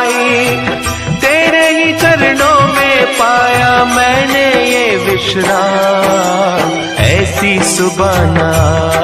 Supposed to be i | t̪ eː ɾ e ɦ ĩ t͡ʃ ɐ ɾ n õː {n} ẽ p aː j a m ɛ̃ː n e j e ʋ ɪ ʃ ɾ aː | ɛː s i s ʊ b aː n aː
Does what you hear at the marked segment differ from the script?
yes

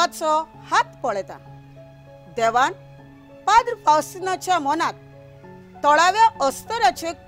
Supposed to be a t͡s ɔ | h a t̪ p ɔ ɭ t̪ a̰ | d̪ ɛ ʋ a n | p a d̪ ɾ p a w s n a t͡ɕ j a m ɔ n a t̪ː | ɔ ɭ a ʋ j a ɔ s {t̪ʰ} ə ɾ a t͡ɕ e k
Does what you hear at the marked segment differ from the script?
yes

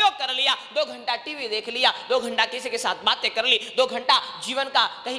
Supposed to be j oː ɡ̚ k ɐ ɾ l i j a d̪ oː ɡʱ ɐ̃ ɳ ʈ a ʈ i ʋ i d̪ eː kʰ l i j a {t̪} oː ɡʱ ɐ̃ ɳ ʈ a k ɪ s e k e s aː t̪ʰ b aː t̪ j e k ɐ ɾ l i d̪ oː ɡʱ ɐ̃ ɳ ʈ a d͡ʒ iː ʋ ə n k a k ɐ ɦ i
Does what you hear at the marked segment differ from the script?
yes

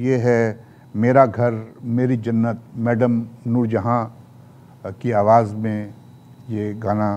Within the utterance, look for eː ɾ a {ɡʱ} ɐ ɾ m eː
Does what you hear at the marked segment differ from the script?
no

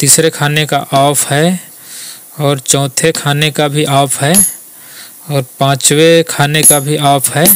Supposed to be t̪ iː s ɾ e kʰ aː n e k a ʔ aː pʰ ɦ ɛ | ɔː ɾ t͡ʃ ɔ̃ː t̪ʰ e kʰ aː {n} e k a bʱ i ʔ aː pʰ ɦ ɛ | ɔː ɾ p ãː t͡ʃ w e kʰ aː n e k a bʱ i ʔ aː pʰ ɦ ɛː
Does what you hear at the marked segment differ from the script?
no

